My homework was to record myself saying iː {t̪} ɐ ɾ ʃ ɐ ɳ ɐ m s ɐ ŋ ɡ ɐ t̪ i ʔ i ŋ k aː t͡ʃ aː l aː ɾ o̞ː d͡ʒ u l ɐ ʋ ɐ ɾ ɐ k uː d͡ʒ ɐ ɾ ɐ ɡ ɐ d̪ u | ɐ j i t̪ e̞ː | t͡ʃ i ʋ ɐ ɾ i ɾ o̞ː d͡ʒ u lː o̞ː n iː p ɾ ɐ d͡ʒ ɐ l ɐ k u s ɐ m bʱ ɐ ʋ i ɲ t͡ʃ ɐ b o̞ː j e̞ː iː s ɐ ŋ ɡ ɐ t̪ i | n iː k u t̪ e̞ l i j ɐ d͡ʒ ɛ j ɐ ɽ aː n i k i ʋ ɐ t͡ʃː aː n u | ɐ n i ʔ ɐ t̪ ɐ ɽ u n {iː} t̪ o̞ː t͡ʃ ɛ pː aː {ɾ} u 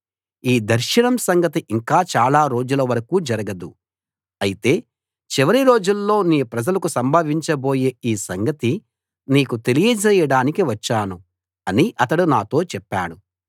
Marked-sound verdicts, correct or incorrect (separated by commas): incorrect, incorrect, incorrect